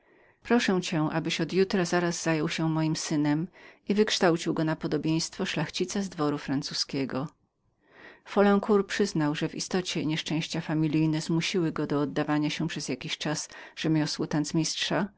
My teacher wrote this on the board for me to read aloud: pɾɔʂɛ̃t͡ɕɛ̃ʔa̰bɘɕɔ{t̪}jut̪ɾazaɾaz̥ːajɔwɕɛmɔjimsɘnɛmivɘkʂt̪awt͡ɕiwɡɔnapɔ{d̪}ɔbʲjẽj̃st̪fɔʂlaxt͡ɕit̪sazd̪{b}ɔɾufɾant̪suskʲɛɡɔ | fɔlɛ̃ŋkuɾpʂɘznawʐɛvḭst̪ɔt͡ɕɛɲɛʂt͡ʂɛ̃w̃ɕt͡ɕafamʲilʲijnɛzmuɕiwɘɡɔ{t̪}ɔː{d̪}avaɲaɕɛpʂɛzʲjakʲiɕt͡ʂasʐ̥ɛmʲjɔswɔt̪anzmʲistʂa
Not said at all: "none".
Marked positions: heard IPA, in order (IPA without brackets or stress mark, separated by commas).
d̪, d̪, v, d̪, d̪ː